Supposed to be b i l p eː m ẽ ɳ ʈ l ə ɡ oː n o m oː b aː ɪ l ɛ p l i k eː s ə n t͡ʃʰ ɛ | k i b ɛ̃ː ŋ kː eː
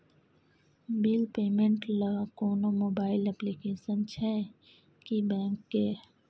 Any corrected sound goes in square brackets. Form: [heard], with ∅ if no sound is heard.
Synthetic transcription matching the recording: b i l p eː m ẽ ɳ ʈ l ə [k] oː n o m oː b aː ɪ l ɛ p l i k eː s ə n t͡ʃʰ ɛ | k i b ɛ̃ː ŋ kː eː